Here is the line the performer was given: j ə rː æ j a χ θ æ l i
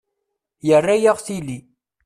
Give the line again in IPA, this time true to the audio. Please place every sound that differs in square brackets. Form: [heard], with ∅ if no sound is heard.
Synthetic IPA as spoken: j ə rː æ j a [ʁ] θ [i] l i